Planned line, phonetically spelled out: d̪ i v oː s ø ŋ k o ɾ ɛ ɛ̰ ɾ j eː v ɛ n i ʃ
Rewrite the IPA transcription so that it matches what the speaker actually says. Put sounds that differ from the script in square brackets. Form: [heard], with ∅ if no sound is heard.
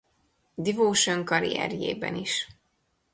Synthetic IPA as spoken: d̪ i v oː [ʃ] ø ŋ k [ɒ] ɾ [i] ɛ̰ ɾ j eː [b] ɛ n i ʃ